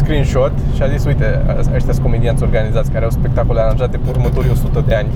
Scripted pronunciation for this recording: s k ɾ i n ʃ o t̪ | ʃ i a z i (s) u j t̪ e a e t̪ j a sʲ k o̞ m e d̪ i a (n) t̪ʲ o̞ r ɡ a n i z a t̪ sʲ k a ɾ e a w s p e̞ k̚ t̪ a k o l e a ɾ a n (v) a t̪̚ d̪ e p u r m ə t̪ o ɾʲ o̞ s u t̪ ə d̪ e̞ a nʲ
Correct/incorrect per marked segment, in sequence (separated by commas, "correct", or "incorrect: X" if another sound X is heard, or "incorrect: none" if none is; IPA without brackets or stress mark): correct, correct, incorrect: ʒ